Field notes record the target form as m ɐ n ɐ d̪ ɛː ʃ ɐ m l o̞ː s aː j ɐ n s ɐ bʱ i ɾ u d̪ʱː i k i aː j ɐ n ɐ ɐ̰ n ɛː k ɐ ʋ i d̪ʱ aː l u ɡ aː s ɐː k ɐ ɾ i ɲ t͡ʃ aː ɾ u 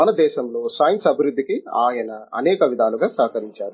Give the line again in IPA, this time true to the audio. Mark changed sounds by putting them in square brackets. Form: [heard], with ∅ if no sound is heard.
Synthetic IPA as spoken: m ɐ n ɐ d̪ ɛː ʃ ɐ m l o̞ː s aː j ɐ n s ɐ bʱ i ɾ u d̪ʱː i k i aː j ɐ n ɐ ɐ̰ n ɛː k ɐ ʋ i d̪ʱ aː l u ɡ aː s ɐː k ɐ ɾ i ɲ t͡ʃ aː ɾ u